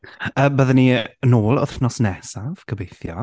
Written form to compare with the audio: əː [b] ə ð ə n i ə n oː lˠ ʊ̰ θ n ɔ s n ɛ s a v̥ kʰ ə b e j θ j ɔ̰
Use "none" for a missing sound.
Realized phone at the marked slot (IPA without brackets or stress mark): b